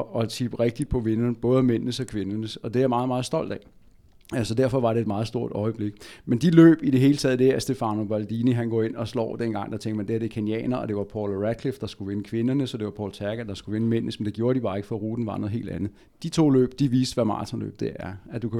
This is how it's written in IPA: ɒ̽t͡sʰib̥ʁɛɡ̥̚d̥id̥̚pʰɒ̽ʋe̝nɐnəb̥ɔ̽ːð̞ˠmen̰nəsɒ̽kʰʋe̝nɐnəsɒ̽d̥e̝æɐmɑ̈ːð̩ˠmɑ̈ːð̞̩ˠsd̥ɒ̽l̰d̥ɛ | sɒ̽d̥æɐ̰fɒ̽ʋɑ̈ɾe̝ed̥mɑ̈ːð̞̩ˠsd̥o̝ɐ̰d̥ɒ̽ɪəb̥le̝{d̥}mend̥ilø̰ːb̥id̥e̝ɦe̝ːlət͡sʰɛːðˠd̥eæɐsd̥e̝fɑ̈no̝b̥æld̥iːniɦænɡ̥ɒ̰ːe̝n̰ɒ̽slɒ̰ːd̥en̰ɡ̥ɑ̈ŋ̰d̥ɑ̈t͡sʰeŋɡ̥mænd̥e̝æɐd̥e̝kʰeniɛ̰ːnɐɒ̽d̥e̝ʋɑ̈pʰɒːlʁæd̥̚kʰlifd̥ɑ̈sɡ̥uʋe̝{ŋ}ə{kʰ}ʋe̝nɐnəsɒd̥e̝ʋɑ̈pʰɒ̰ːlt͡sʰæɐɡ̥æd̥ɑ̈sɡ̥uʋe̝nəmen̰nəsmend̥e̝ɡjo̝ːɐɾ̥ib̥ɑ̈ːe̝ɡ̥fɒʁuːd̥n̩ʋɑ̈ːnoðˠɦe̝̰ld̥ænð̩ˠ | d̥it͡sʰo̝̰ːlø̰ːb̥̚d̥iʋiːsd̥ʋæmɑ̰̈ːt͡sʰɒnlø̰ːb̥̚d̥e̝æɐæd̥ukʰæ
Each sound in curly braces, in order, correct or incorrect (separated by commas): incorrect, incorrect, correct